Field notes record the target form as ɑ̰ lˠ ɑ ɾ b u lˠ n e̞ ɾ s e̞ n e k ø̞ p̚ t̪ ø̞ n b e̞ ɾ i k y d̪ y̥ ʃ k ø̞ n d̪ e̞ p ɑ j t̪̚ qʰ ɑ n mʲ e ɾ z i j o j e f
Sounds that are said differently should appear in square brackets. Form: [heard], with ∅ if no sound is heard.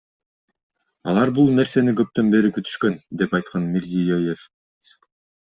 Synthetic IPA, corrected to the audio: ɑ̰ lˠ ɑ ɾ b u lˠ n e̞ ɾ s e̞ n [i] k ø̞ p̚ t̪ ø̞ n b e̞ ɾ i k y [t̪] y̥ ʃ k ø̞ n d̪ e̞ p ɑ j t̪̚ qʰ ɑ n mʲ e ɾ z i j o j e f